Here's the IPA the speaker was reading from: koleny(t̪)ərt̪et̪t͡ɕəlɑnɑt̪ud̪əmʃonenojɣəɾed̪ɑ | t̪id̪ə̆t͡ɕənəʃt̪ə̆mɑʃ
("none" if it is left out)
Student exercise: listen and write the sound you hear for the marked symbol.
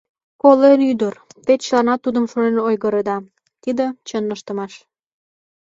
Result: d̪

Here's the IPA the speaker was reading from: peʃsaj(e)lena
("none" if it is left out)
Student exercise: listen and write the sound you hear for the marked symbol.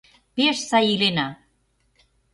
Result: i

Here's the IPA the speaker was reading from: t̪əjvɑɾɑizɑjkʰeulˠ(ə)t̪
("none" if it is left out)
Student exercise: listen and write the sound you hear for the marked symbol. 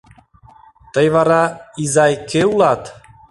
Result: ɑ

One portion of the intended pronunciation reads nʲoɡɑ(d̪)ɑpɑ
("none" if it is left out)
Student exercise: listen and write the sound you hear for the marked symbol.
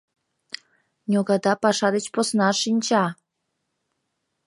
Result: d̪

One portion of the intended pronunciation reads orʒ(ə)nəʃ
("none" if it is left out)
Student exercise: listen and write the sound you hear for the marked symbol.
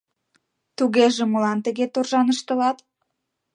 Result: ɑ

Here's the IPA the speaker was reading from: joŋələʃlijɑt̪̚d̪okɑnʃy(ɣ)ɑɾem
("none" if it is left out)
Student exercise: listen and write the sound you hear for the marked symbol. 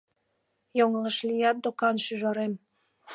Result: ʒ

